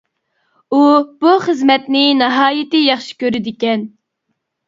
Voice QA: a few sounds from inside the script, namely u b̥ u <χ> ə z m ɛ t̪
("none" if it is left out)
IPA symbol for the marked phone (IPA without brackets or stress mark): χ